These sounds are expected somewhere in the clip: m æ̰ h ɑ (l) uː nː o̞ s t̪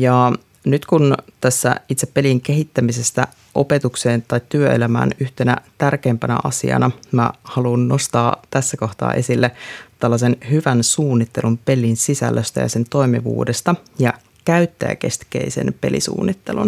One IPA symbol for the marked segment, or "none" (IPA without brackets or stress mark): l